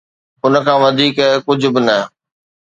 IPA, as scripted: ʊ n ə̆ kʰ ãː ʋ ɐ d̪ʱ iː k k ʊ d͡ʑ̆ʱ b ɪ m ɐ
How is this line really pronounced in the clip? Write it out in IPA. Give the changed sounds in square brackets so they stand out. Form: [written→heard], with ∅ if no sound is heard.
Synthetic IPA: ʊ n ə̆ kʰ ãː ʋ ɐ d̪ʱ iː k k ʊ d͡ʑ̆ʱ b ɪ [m→n] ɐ